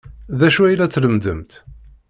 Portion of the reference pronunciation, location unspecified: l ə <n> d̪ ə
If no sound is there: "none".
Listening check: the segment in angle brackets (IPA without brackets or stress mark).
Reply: m